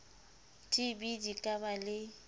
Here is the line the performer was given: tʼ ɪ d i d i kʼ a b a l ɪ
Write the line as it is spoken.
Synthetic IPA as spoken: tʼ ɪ b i d i kʼ a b a l ɪ